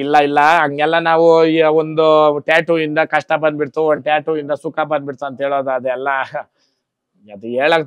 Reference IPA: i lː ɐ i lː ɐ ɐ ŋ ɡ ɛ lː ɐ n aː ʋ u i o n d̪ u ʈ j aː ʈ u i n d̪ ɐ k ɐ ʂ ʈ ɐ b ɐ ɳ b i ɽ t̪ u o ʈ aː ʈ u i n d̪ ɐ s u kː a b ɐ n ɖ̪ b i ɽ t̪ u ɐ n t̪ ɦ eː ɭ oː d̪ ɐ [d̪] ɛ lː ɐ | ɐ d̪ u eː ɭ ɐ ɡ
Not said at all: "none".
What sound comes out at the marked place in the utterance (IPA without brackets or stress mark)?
d̪